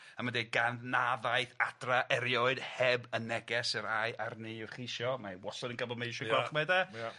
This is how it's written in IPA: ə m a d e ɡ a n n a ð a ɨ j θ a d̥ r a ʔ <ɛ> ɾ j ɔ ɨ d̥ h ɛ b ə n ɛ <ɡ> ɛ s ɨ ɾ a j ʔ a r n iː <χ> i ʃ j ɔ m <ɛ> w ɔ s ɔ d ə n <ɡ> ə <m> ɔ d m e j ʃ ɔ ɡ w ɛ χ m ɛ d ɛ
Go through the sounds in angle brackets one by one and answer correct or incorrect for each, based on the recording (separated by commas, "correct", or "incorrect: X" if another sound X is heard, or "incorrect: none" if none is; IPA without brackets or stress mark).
correct, correct, correct, incorrect: a, correct, incorrect: b